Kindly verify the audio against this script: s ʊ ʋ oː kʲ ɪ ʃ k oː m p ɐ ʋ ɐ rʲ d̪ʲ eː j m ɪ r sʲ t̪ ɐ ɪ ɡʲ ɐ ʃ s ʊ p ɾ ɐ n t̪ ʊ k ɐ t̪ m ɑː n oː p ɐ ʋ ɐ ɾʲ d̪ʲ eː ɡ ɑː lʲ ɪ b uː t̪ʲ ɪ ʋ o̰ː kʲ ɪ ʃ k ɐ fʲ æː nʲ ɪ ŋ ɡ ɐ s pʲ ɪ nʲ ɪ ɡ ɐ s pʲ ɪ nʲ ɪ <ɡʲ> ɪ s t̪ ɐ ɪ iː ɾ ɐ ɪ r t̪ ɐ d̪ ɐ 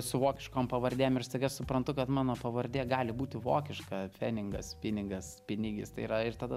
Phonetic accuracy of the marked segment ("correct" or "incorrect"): correct